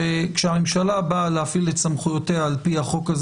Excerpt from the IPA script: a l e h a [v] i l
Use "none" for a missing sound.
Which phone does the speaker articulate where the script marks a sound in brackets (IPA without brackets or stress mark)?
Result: f